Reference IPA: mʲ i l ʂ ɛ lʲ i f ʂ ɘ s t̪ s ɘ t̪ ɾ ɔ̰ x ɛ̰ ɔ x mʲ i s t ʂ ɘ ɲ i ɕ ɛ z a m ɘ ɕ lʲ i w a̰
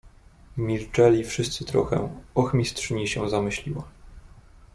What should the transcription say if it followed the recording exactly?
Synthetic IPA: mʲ i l t͡ʂ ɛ lʲ i f ʂ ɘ s t̪ s ɘ t̪ ɾ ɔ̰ x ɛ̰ ɔ x mʲ i s t ʂ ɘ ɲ i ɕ ɛ z a m ɘ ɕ lʲ i w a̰